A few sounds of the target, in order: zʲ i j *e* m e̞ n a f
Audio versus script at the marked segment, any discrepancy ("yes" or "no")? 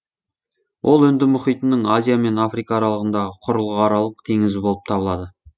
yes